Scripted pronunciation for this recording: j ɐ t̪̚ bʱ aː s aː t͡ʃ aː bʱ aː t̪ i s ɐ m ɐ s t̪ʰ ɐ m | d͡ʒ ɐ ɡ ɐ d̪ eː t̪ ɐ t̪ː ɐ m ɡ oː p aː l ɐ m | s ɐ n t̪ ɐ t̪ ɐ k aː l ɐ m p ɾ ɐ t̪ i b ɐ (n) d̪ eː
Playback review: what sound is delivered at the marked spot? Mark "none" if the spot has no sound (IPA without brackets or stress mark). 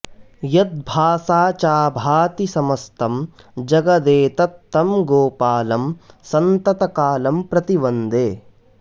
n